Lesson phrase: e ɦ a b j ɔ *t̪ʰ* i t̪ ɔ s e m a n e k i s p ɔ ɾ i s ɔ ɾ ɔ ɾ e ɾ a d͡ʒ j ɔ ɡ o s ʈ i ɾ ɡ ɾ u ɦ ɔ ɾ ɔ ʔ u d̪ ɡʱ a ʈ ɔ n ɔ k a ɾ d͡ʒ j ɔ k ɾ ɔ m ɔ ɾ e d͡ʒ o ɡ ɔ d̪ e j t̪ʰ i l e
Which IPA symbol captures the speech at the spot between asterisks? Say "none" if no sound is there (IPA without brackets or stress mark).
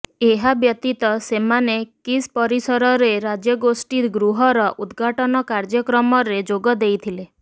t̪